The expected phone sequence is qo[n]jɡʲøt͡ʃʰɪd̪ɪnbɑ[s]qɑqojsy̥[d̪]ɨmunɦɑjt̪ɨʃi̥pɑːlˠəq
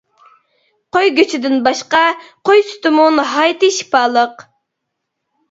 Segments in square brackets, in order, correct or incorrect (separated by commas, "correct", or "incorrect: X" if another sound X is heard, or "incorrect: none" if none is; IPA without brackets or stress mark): incorrect: none, incorrect: ʃ, incorrect: t̪